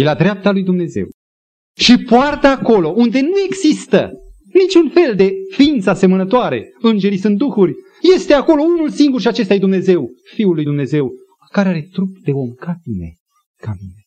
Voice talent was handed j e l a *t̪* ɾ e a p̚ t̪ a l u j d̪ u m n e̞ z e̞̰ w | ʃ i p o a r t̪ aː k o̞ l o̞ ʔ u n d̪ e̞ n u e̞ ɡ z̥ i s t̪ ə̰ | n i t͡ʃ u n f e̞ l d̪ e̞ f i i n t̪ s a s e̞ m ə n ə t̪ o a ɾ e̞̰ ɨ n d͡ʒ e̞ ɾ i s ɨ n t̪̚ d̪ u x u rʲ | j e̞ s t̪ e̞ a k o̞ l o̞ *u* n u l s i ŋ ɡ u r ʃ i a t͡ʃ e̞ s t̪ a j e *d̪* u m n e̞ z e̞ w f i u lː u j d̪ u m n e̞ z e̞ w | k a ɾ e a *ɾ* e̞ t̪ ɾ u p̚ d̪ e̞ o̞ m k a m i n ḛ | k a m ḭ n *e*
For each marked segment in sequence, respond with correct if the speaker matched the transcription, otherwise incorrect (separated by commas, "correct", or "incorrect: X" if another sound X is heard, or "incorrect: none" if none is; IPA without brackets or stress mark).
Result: incorrect: d̪, correct, correct, correct, correct